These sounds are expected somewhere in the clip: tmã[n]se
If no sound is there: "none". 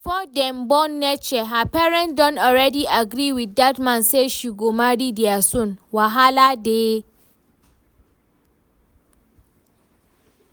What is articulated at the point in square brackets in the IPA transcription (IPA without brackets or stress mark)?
n